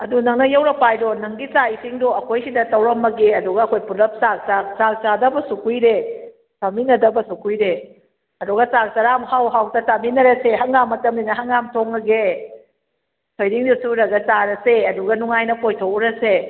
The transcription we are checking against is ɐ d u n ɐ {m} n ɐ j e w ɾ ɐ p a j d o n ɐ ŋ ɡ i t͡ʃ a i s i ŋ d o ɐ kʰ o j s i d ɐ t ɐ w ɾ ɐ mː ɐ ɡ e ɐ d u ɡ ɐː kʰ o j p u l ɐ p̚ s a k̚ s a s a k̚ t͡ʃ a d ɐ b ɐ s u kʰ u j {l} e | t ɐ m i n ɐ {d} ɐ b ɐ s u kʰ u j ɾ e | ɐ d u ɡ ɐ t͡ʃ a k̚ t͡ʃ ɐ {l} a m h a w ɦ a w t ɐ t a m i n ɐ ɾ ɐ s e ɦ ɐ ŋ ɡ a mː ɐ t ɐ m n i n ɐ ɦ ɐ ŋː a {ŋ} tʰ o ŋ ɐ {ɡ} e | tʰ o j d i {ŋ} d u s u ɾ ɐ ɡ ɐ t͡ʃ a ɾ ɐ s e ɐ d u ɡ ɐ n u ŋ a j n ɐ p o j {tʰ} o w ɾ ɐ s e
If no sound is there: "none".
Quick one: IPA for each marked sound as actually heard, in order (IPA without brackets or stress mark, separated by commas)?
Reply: ŋ, ɾ, d, ɾ, m, ɡ, ŋ, tʰ